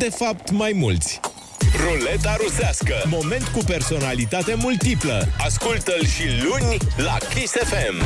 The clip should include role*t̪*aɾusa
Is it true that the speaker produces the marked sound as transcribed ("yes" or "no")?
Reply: yes